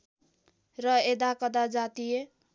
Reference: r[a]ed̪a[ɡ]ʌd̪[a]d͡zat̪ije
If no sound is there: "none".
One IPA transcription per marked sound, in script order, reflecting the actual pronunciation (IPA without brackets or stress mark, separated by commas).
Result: ʌ, k, a